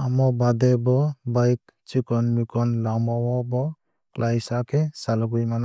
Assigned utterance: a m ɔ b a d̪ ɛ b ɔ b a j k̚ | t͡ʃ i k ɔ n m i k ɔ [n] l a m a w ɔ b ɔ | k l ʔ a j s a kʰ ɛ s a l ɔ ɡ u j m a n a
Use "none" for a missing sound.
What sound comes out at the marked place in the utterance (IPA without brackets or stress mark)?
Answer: n